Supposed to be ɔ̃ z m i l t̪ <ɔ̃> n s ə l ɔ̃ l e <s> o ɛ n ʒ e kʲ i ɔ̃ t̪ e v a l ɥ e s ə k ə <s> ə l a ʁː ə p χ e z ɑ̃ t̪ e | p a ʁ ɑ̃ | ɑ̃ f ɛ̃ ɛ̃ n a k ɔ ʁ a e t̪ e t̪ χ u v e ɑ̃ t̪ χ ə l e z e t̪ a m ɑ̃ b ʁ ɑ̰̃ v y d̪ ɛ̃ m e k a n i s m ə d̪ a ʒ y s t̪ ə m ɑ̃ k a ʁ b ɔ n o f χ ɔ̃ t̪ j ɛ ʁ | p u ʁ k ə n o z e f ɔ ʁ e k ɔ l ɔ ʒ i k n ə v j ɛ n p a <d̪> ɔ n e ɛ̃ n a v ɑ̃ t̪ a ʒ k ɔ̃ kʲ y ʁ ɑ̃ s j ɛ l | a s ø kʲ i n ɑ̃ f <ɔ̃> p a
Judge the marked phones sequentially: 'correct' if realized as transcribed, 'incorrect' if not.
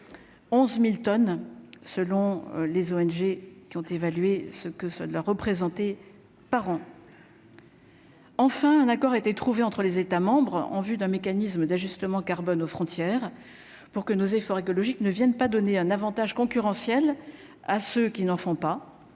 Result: incorrect, incorrect, correct, correct, correct

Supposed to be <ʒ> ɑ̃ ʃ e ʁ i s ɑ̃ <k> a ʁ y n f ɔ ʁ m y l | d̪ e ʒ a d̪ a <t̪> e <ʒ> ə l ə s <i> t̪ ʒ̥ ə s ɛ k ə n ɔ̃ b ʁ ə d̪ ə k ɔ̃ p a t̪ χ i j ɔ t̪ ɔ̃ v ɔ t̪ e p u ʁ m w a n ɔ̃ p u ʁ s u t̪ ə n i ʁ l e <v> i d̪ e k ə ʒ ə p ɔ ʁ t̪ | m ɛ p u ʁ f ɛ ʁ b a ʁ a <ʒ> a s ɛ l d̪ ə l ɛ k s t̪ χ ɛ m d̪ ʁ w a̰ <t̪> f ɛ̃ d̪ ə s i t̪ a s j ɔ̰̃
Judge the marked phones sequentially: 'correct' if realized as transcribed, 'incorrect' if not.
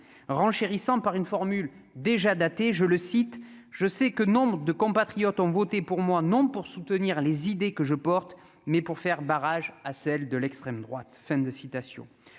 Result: incorrect, incorrect, correct, correct, correct, incorrect, correct, correct

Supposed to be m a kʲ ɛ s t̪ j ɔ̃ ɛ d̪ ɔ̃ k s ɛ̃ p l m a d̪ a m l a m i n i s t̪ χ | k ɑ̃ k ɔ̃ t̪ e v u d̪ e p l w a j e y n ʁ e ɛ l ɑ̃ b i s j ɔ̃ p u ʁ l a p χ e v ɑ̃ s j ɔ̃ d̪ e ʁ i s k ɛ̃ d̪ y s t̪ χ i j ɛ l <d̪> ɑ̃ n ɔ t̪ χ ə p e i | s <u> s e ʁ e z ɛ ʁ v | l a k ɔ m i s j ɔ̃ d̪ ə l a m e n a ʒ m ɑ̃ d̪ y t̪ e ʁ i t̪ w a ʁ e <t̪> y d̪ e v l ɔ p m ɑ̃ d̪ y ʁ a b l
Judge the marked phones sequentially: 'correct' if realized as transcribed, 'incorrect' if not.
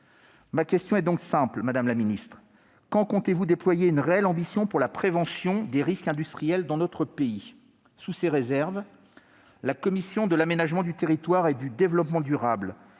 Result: correct, correct, incorrect

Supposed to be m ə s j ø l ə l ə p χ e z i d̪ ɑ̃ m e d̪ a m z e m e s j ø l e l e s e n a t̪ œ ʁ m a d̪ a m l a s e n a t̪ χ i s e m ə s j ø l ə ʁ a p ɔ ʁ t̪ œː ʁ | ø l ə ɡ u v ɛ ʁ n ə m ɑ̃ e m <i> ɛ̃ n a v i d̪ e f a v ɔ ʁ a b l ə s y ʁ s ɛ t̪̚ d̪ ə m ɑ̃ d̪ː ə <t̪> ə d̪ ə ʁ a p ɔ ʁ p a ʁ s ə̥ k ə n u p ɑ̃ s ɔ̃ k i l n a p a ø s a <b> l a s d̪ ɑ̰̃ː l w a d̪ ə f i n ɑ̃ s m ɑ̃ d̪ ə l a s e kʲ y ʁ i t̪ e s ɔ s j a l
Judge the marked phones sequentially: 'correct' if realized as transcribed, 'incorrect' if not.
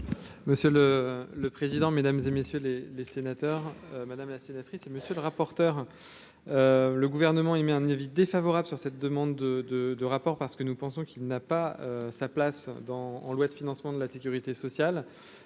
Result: incorrect, incorrect, incorrect

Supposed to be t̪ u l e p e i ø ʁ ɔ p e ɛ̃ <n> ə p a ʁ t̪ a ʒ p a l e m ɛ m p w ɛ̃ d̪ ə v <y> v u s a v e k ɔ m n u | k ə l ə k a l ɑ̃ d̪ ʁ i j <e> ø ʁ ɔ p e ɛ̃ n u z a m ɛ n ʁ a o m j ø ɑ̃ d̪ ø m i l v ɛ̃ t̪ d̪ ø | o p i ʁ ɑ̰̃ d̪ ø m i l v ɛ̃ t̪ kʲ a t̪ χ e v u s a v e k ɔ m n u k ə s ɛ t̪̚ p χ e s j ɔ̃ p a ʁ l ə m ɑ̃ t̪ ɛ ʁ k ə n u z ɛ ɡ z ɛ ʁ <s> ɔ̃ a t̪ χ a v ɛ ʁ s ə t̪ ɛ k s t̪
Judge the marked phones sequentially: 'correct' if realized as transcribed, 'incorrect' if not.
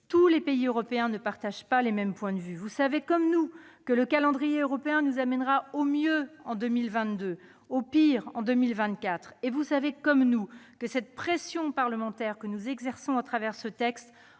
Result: correct, correct, correct, correct

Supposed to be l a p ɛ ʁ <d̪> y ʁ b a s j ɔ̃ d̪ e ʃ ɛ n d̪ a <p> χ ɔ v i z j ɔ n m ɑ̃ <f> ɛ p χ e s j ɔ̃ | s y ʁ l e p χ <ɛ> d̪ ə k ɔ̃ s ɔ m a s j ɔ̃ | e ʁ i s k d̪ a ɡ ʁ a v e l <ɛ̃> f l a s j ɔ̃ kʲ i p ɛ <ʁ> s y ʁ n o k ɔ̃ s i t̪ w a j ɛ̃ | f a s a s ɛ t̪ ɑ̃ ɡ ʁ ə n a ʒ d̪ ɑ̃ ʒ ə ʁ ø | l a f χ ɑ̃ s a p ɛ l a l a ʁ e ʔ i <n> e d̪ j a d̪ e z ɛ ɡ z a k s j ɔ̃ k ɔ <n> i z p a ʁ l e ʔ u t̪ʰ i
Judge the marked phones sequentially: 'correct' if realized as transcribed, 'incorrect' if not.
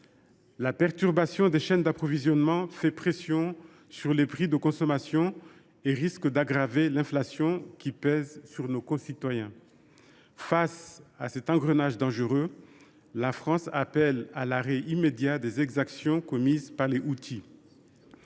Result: incorrect, correct, correct, incorrect, correct, incorrect, incorrect, incorrect

